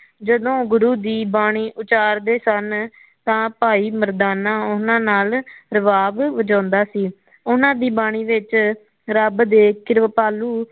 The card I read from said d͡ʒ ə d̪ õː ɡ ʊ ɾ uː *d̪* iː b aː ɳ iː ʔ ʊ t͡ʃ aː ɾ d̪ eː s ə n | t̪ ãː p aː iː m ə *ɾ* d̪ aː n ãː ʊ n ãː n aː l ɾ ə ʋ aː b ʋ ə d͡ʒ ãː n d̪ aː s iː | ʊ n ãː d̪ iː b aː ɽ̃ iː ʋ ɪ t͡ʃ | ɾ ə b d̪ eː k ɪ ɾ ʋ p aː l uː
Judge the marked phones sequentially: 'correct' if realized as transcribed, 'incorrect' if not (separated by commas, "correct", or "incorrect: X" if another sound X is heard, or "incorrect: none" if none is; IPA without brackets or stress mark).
correct, correct